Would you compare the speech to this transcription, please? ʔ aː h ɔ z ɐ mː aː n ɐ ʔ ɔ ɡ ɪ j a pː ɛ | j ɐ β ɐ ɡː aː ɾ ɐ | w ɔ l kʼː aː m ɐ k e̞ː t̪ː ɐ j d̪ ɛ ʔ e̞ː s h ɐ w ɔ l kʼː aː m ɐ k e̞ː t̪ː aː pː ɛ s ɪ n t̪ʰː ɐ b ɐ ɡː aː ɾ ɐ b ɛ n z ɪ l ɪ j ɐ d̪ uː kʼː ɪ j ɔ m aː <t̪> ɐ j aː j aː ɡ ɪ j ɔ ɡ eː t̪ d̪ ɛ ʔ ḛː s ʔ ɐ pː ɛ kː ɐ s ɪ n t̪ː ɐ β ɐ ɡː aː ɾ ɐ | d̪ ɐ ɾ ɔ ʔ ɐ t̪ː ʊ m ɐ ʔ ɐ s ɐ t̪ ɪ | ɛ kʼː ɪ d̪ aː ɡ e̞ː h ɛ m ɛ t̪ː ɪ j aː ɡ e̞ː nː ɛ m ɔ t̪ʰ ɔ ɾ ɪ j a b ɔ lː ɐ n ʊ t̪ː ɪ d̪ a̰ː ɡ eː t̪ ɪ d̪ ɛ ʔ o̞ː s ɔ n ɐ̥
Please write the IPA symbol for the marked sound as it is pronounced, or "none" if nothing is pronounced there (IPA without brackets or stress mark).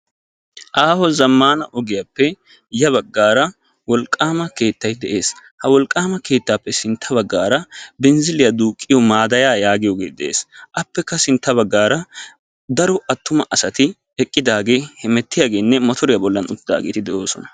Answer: d̪